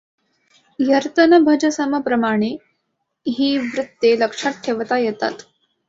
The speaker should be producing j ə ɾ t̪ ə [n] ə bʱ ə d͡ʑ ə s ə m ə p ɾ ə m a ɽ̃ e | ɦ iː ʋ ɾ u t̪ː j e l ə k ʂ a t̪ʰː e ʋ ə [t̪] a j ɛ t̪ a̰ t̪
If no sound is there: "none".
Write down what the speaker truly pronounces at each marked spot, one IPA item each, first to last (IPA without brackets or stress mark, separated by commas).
n, t̪